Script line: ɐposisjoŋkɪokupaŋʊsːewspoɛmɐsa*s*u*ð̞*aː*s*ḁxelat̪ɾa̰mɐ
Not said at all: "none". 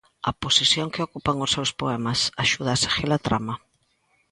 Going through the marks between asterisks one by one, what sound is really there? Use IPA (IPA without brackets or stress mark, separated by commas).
ʃ, ð̞, s